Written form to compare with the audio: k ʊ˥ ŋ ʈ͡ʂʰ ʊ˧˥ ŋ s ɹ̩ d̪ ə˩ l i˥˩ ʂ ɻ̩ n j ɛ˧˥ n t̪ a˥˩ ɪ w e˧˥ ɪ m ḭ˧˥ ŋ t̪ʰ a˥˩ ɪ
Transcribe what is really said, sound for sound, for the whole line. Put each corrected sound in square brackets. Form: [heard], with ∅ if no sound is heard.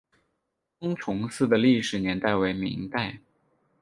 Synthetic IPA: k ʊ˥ ŋ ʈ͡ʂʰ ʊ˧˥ ŋ s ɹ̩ d̪ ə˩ l i˥˩ ʂ ɻ̩ n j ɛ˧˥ n t̪ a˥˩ ɪ w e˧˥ ɪ m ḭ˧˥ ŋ [t̪] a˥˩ ɪ

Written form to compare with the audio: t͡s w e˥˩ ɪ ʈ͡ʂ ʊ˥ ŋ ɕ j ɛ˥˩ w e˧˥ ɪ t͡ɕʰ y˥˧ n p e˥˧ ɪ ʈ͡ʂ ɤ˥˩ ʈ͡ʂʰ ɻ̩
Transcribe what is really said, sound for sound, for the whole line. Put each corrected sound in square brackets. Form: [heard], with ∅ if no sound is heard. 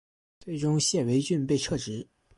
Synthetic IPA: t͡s w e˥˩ ɪ ʈ͡ʂ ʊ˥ ŋ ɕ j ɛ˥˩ w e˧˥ ɪ [t͡ɕ] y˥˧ n p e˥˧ ɪ [ʈ͡ʂʰ] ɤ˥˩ [ʈ͡ʂ] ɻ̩

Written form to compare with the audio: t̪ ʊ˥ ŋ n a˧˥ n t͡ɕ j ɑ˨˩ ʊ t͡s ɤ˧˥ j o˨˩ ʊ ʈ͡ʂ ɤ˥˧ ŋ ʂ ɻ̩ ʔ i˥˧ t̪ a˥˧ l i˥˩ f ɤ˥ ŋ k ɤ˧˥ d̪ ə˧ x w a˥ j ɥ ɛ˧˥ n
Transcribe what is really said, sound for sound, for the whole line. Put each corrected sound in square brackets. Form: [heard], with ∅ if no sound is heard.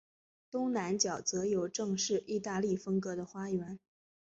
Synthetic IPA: t̪ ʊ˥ ŋ n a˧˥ n t͡ɕ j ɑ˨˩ ʊ t͡s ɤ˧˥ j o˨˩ ʊ ʈ͡ʂ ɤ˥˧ ŋ ʂ ɻ̩ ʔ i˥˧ t̪ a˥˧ l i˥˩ f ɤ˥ ŋ k ɤ˧˥ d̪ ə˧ x w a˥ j ɥ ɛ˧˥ n

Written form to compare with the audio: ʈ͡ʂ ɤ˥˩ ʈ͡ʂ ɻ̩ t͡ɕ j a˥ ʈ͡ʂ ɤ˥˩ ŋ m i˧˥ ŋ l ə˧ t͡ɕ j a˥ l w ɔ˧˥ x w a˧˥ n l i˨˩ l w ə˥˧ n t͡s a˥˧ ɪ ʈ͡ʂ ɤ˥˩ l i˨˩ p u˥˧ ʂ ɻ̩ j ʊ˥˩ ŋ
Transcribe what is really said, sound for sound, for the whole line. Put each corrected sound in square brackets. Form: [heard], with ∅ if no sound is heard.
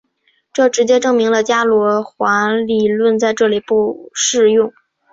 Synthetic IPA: ʈ͡ʂ ɤ˥˩ ʈ͡ʂ ɻ̩ t͡ɕ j [ɛ˥] ʈ͡ʂ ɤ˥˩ ŋ m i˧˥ ŋ l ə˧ t͡ɕ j a˥ l w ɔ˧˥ x w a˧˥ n l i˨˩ l w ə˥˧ n t͡s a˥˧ ɪ ʈ͡ʂ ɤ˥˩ l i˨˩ p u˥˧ ʂ ɻ̩ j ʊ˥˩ ŋ

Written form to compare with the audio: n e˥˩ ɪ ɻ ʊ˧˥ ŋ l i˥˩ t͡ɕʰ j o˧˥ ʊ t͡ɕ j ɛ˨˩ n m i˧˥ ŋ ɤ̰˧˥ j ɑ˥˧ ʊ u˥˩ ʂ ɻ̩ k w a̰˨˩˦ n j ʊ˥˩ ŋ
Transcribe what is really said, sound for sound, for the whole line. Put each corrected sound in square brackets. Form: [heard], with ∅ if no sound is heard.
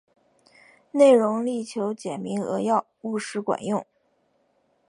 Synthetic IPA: n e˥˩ ɪ ɻ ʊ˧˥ ŋ l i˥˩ t͡ɕʰ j o˧˥ ʊ t͡ɕ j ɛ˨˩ n m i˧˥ ŋ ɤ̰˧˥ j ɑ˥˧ ʊ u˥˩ ʂ ɻ̩ k w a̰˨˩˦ n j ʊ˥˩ ŋ

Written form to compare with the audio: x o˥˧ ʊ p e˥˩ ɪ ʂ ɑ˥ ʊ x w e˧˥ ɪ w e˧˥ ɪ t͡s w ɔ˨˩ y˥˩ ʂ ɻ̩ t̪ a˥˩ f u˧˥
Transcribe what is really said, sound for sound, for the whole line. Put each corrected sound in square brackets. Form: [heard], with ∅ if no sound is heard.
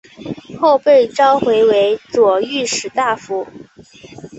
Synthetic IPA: x o˥˧ ʊ p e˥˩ ɪ [ʈ͡ʂ] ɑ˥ ʊ x w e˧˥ ɪ w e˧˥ ɪ t͡s w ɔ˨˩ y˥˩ ʂ ɻ̩ t̪ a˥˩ f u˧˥

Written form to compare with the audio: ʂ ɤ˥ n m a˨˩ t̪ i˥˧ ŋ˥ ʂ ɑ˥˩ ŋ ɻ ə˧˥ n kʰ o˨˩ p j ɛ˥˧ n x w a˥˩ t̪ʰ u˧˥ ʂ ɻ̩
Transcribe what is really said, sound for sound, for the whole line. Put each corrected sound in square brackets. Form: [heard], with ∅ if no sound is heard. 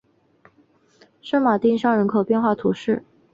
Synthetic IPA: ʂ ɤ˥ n m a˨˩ t̪ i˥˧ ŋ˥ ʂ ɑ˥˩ ŋ ɻ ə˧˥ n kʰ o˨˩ p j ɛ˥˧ n x w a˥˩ t̪ʰ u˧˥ ʂ ɻ̩

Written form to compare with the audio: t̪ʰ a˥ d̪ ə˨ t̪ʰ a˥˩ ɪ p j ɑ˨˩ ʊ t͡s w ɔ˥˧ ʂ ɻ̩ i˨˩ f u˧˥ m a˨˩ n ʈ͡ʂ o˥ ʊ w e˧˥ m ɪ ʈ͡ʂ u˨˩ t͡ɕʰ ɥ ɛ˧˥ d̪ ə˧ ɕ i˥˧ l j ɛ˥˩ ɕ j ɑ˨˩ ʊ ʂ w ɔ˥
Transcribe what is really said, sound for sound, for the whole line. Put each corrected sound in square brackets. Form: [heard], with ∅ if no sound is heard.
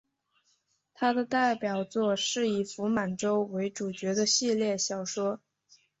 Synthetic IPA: t̪ʰ a˥ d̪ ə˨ [t̪] a˥˩ ɪ p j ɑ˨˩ ʊ t͡s w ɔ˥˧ ʂ ɻ̩ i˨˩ f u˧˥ m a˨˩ n ʈ͡ʂ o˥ ʊ w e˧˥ [∅] ɪ ʈ͡ʂ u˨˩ [t͡ɕ] ɥ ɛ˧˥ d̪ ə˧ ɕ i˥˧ l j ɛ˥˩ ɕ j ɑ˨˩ ʊ ʂ w ɔ˥

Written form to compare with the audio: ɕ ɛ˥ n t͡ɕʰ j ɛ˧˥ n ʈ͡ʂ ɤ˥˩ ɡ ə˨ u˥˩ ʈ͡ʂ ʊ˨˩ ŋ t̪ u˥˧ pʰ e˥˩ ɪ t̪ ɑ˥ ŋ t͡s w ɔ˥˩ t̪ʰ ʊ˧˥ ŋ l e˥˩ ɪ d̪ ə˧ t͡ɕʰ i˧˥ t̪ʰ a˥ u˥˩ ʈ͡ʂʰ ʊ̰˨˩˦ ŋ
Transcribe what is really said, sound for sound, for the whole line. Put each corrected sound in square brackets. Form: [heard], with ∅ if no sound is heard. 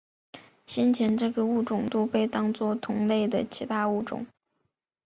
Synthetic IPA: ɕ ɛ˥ n t͡ɕʰ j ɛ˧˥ n ʈ͡ʂ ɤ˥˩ ɡ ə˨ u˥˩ ʈ͡ʂ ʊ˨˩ ŋ t̪ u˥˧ [p] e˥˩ ɪ t̪ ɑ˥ ŋ t͡s w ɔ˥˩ t̪ʰ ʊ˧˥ ŋ l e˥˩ ɪ d̪ [ə˩] t͡ɕʰ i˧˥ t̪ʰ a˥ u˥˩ [ʈ͡ʂ] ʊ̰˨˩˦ ŋ

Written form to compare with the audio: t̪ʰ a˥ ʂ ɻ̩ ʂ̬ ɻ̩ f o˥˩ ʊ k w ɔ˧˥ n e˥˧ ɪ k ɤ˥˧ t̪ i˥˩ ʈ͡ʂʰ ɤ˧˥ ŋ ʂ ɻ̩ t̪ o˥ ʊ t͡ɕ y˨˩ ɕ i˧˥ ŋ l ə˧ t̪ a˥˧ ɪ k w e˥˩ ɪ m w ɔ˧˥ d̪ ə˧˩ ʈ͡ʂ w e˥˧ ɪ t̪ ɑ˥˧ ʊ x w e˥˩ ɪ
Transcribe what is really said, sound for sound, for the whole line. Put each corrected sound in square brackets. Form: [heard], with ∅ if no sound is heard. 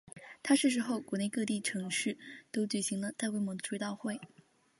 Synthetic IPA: t̪ʰ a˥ ʂ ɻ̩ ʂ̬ ɻ̩ [x] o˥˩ ʊ k w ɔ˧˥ n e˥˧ ɪ k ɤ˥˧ t̪ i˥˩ ʈ͡ʂʰ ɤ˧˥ ŋ ʂ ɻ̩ t̪ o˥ ʊ t͡ɕ y˨˩ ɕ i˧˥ ŋ l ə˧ t̪ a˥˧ ɪ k w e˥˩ ɪ m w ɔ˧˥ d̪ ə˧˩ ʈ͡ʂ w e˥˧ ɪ t̪ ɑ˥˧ ʊ x w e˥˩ ɪ

